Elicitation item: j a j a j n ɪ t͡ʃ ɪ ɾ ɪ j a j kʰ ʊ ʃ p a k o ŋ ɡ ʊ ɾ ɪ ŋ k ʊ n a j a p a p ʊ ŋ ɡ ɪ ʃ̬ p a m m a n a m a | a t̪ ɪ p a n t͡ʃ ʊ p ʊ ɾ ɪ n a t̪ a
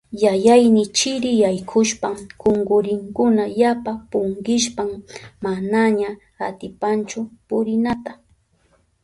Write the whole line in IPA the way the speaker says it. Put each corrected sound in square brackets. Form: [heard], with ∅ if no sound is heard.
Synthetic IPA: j a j a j n ɪ t͡ʃ ɪ ɾ ɪ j a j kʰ ʊ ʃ p a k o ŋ ɡ ʊ ɾ ɪ ŋ k ʊ n a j a p a p ʊ ŋ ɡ ɪ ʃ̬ p a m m a n a [ɲ] a | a t̪ ɪ p a n t͡ʃ ʊ p ʊ ɾ ɪ n a t̪ a

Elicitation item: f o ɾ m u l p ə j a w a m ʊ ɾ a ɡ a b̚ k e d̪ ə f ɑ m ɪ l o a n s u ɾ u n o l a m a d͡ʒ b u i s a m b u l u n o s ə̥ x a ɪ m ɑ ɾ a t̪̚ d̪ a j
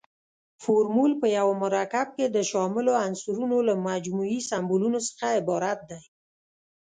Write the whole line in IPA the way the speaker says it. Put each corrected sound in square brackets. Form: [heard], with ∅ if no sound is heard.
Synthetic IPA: f o ɾ m u l p ə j a w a m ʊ ɾ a [k] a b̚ k e d̪ ə [ʃ] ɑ m ɪ l o a n s u ɾ u n o l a m a d͡ʒ [m] u i s a m b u l u n o s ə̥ x a ɪ [b] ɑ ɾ a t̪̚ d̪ a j

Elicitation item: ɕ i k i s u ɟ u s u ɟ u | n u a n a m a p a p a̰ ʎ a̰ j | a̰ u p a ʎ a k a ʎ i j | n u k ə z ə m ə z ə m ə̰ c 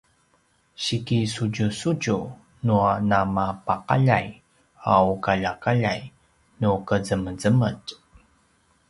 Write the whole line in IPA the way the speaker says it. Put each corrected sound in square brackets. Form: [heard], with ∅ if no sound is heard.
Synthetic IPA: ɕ i k i s u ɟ u s u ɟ u | n u a n a m a p a [q] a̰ ʎ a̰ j | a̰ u [k] a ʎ a k a ʎ [a] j | n u k ə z ə m ə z ə m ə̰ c

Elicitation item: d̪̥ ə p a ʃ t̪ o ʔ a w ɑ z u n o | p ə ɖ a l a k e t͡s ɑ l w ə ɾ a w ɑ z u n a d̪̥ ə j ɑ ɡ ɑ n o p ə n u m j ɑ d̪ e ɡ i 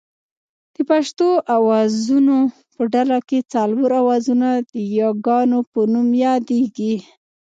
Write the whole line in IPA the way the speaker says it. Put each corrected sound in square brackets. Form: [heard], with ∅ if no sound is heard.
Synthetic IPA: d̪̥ ə p a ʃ t̪ o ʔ a w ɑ z u n o | p ə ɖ a l a k e t͡s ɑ l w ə ɾ a w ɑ z u n a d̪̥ ə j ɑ ɡ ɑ n o p ə n u m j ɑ d̪ e ɡ i

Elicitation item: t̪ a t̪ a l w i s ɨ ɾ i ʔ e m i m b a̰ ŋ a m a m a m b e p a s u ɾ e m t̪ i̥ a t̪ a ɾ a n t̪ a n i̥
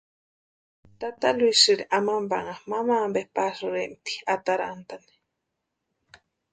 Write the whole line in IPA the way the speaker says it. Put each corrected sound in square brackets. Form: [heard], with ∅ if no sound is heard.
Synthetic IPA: t̪ a t̪ a l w i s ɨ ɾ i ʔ [a] m [a] m b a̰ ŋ a m a m a m b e p a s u ɾ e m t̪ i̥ a t̪ a ɾ a n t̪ a n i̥

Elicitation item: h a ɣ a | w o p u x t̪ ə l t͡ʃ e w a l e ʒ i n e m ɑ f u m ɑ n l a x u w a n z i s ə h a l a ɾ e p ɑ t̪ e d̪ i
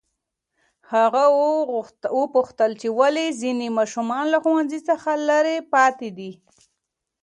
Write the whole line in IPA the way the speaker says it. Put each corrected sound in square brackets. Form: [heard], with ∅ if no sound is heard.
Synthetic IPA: h a ɣ a | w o p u x t̪ ə l t͡ʃ e w a l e [z] i n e m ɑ [ʃ] u m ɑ n l a x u w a n z i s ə [x] a l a ɾ e p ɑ t̪ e d̪ i

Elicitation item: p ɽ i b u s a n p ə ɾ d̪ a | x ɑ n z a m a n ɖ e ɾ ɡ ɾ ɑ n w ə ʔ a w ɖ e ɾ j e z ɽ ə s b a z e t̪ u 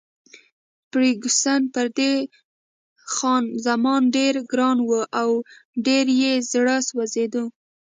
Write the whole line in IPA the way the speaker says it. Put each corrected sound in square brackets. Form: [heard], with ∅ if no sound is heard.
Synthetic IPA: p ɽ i [ɡ] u s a n p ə ɾ d̪ [e] | x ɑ n z a m [ɑ] n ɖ e ɾ ɡ ɾ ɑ n w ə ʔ a w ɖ e ɾ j e z ɽ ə s [w] a z e [d̪] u

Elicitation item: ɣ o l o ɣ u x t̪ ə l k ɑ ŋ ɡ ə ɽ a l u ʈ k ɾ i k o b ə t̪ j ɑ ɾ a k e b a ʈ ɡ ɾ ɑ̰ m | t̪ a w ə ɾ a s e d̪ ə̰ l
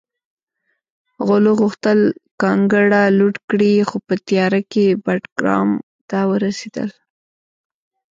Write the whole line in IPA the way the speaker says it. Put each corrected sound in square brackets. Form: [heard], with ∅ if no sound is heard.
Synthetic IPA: ɣ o l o ɣ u x t̪ ə l k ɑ ŋ ɡ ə ɽ a l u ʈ k [ɽ] i [x] o [p] ə t̪ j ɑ ɾ a k e b a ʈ ɡ ɾ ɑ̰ m | t̪ a w ə ɾ a s e d̪ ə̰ l

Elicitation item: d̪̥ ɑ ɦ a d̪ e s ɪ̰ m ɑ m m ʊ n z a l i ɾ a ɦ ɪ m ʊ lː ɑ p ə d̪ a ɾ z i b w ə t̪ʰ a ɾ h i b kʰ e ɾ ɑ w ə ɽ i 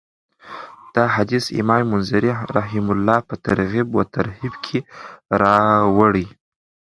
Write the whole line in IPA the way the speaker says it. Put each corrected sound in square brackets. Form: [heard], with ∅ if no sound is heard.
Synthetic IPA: d̪̥ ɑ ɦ a d̪ [i] s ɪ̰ m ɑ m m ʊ n z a [ɾ] i ɾ a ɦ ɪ m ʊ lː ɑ p ə [t̪] a ɾ [ɣ] i b w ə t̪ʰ a ɾ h i b kʰ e ɾ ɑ w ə ɽ i

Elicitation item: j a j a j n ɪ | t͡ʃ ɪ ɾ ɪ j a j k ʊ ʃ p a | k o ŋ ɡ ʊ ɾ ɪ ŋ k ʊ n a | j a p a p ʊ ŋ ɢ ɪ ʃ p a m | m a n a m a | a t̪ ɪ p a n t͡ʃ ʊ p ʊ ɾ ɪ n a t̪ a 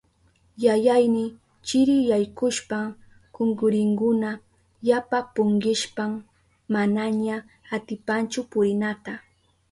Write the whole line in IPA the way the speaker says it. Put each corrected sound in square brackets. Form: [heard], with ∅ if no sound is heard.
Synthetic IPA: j a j a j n ɪ | t͡ʃ ɪ ɾ ɪ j a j k ʊ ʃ p a | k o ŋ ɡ ʊ ɾ ɪ ŋ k ʊ n a | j a p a p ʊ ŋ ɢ ɪ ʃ p a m | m a n a [ɲ] a | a t̪ ɪ p a n t͡ʃ ʊ p ʊ ɾ ɪ n a t̪ a

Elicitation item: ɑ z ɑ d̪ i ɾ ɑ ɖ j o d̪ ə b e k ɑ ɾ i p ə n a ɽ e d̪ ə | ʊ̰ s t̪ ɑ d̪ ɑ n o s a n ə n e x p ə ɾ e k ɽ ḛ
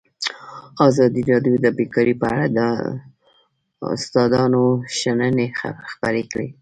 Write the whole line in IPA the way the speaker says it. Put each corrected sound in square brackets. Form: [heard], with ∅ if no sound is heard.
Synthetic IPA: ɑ z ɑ d̪ i ɾ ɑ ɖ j o d̪ ə b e k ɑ ɾ i p ə [∅] a ɽ [a] d̪ ə | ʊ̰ s t̪ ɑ d̪ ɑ n o [ʃ] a n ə n e x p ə ɾ e k ɽ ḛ

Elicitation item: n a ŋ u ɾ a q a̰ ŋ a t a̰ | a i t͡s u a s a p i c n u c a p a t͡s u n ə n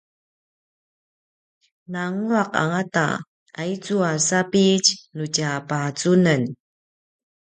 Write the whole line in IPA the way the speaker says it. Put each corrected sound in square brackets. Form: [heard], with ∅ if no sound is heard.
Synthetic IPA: n a ŋ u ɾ a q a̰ ŋ a t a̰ | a i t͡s u a s a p i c n u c a p a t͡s u n ə n

